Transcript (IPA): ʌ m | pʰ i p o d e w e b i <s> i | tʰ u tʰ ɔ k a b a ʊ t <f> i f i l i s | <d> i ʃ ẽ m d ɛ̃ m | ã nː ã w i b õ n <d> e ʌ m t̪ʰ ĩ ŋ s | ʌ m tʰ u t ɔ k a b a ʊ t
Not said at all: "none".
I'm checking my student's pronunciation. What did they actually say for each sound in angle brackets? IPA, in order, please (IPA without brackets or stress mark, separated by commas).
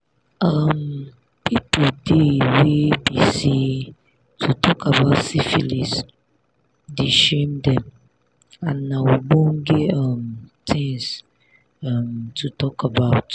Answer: s, s, d, ɡ